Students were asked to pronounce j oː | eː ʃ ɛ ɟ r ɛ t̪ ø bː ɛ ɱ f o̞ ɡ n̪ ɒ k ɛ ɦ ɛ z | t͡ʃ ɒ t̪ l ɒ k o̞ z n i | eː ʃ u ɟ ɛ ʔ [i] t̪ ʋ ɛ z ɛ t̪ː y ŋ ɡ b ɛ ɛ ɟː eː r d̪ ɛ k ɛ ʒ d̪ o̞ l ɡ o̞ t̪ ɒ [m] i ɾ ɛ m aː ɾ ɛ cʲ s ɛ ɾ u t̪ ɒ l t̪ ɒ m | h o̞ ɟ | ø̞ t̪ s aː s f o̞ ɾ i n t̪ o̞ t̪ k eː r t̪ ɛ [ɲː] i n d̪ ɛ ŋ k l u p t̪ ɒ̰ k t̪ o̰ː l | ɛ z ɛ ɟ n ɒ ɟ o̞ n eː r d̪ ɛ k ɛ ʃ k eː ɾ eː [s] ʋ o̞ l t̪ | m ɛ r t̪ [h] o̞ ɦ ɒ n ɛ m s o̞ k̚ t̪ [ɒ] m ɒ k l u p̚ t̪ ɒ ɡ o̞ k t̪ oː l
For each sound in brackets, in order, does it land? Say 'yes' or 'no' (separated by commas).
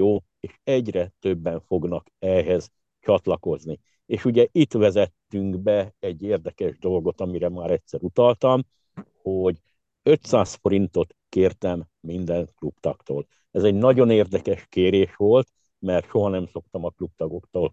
yes, yes, no, no, no, yes